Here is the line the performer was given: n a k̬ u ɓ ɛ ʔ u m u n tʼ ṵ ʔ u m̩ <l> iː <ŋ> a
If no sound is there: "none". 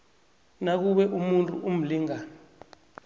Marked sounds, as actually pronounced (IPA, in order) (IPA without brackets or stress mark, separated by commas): l, ŋ